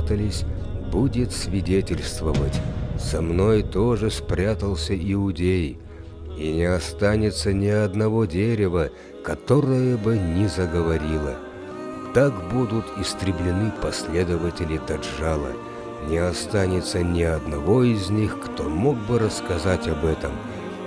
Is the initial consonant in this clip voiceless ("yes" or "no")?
yes